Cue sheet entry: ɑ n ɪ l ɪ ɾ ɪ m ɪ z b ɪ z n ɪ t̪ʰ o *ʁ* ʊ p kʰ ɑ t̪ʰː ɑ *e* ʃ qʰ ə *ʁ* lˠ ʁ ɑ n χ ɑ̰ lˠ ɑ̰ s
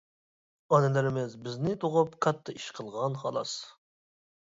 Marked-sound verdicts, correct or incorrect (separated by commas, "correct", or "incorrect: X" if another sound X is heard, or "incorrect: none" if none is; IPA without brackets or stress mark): correct, incorrect: i, incorrect: none